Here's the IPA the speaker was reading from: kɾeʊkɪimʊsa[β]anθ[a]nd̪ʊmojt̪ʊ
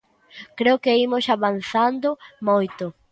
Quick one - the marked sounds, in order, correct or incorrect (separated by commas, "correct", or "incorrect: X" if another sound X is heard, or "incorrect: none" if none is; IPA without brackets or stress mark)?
correct, correct